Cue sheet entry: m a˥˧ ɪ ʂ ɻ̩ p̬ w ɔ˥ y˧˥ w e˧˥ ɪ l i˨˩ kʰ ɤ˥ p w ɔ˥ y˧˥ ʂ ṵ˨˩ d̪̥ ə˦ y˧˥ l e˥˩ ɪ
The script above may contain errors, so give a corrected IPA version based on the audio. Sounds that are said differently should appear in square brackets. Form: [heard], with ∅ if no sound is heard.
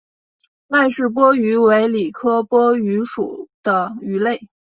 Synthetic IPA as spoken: m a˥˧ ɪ ʂ ɻ̩ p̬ w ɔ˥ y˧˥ w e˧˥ ɪ l i˨˩ kʰ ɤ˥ p w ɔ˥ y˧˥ ʂ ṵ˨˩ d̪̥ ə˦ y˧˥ l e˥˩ ɪ

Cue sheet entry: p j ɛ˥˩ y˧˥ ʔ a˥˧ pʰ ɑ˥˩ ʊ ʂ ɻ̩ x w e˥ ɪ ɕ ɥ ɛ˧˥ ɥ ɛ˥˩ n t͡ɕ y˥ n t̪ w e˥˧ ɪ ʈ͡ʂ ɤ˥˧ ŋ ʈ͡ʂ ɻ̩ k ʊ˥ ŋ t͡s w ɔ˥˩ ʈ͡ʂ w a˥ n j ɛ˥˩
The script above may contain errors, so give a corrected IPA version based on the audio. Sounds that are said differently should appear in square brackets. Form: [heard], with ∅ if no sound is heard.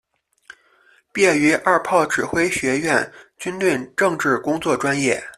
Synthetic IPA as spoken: p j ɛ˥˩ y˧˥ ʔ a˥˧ pʰ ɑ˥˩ ʊ [ʈ͡ʂ] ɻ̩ x w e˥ ɪ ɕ ɥ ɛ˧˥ ɥ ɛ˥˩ n t͡ɕ y˥ n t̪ w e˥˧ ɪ ʈ͡ʂ ɤ˥˧ ŋ ʈ͡ʂ ɻ̩ k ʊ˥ ŋ t͡s w ɔ˥˩ ʈ͡ʂ w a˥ n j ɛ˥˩

